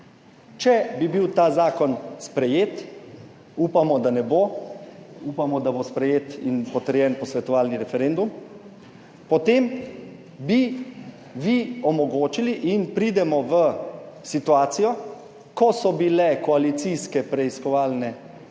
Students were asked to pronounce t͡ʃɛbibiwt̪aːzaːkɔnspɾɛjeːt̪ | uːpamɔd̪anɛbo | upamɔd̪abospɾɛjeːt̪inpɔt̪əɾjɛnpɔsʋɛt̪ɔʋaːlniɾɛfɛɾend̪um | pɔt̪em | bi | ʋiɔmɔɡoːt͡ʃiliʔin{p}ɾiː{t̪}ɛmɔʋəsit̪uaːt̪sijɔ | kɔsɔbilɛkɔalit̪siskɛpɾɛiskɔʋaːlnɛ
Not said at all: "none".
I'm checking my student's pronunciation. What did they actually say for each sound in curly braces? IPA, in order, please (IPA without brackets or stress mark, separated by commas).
p, d̪